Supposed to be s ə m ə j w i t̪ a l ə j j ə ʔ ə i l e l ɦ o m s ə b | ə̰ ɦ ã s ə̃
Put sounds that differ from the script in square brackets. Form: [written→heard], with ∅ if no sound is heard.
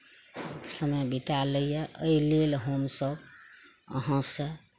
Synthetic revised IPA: s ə m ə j [w→b] i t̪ a l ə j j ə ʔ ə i l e l ɦ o m s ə b | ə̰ ɦ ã s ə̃